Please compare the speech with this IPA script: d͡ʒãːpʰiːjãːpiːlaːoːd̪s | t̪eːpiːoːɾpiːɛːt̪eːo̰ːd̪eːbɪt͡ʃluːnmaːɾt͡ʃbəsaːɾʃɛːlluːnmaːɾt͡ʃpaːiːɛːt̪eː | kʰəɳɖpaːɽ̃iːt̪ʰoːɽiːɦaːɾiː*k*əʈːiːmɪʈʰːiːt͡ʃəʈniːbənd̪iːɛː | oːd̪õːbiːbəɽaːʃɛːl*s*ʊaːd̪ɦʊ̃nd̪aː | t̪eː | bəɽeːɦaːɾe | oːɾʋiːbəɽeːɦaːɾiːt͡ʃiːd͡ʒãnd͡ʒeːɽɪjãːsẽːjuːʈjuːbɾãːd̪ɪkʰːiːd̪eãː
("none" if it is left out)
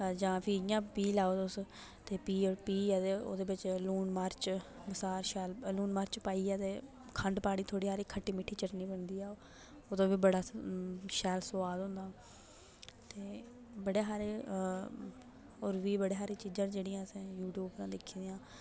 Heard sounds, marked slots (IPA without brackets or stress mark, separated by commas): kʰ, s